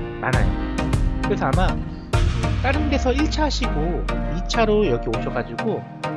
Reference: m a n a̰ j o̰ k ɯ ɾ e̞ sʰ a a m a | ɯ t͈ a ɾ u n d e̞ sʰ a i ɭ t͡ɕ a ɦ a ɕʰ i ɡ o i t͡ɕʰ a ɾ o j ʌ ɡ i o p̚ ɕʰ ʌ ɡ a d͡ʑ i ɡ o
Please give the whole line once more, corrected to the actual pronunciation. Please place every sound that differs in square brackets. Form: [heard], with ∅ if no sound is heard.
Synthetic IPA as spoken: m a n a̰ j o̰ k ɯ ɾ e̞ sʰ [ʌ] a m a | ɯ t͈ a ɾ [ɯ] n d e̞ sʰ [ʌ] i ɭ [t͡ɕʰ] a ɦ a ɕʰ i ɡ o i t͡ɕʰ a ɾ o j ʌ ɡ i o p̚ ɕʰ ʌ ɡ a d͡ʑ i ɡ o